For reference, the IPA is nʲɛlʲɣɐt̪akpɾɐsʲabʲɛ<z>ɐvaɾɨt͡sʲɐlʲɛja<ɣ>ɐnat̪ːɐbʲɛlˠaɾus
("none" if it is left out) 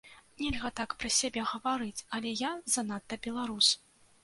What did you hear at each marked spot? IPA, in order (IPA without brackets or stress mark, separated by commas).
ɣ, z